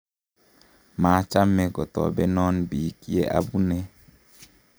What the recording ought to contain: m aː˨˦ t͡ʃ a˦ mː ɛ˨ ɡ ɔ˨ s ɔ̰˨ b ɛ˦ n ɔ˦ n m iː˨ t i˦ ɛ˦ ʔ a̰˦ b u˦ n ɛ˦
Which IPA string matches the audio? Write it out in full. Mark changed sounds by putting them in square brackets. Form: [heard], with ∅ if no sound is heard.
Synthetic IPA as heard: m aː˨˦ t͡ʃ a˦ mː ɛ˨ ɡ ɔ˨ [t] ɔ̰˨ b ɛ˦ n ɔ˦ n [b] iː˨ [k] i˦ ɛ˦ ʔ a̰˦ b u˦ n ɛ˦

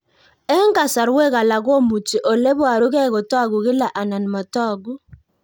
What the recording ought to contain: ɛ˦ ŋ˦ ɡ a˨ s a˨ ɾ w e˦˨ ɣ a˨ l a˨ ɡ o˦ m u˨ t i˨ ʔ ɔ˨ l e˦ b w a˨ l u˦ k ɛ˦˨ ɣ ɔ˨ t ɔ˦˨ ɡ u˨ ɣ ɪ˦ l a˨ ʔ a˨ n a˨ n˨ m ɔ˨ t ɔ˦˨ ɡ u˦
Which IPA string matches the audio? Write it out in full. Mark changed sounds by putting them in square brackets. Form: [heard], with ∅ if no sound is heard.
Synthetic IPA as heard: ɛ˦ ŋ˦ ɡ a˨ s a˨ ɾ w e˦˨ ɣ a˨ l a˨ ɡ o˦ m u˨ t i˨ ʔ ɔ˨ l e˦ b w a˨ [ɾ] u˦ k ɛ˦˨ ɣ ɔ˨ t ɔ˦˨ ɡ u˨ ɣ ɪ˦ l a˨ ʔ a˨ n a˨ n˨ m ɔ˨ t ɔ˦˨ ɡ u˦

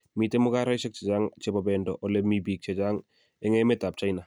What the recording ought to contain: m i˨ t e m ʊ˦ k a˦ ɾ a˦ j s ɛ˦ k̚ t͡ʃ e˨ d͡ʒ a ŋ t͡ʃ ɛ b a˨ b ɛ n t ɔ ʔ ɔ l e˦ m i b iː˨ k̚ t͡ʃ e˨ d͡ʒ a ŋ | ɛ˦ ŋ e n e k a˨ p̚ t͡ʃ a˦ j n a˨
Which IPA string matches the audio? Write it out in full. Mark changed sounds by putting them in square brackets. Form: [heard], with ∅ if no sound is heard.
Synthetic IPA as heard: m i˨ t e m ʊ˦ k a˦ ɾ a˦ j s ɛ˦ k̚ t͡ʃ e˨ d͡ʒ a ŋ t͡ʃ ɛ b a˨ b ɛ n [d] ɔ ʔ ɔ l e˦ m i b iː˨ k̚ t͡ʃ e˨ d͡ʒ a ŋ | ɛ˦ ŋ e [m] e [t] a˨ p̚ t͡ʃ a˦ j n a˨

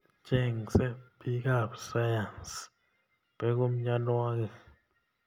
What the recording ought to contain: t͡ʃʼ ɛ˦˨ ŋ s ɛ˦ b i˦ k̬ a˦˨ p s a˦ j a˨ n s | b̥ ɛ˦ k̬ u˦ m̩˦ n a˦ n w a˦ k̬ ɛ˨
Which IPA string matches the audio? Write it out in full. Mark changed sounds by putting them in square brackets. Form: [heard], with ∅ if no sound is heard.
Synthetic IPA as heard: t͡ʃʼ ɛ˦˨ ŋ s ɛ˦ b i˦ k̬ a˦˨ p s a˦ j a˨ n s | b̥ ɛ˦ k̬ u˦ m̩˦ [ɲ] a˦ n w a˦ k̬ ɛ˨

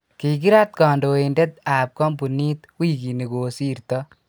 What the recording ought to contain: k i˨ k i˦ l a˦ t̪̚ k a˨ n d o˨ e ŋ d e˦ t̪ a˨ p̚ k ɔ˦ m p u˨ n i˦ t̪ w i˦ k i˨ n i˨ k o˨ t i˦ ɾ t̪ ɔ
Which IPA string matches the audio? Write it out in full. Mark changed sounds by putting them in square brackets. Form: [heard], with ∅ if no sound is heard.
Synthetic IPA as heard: k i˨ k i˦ [ɾ] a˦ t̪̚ k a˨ n d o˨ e [n] d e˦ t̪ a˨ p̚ k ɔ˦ m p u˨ n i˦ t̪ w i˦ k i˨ n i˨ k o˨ [s] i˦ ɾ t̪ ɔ

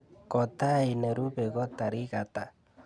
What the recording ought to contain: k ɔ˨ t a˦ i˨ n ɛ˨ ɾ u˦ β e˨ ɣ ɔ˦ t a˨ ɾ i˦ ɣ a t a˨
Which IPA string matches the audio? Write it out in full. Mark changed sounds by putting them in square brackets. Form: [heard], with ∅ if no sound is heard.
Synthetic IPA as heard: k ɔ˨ t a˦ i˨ n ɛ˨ ɾ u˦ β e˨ ɣ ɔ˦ t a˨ ɾ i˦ ɣ a t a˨

